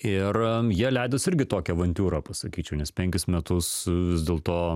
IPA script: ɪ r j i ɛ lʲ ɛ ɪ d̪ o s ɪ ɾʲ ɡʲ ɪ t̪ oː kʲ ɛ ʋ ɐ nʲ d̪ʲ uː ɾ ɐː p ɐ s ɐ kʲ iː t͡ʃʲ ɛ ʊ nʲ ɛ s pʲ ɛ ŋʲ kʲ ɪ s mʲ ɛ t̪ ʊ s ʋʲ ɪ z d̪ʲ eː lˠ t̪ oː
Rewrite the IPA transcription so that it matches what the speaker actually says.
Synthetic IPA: ɪ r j i ɛ lʲ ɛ ɪ d̪ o s ɪ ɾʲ ɡʲ ɪ t̪ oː kʲ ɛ ʋ ɐ nʲ t̪ʲ uː ɾ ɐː p ɐ s ɐ kʲ iː t͡ʃʲ ɛ ʊ nʲ ɛ s pʲ ɛ ŋʲ kʲ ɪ s mʲ ɛ t̪ ʊ s ʋʲ ɪ z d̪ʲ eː lˠ t̪ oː